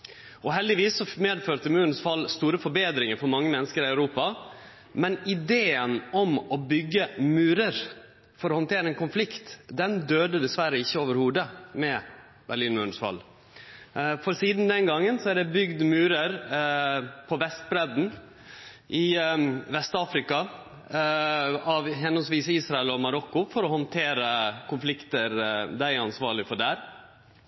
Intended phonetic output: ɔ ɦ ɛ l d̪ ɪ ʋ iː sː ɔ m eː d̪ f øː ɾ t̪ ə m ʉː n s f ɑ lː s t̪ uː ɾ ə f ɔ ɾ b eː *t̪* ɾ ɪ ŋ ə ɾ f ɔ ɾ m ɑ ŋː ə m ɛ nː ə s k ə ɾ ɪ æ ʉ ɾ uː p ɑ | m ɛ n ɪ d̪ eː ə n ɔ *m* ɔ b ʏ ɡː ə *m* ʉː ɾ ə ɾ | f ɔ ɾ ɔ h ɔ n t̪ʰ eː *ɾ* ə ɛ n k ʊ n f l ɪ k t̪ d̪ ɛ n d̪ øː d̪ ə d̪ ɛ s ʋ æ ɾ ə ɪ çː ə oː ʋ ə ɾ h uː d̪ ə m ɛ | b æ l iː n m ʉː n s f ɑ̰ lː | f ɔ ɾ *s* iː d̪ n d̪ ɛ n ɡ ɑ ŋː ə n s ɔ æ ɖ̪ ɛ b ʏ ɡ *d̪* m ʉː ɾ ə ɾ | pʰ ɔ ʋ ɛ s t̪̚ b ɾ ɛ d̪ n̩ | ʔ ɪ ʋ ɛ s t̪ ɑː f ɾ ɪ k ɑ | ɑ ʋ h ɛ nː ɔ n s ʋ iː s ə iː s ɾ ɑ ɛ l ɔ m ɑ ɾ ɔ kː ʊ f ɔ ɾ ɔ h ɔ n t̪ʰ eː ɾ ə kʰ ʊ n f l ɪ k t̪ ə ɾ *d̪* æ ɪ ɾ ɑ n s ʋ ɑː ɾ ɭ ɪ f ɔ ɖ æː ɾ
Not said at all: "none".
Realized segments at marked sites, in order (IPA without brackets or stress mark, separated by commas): d̪, m, m, ɾ, s, d̪, d̪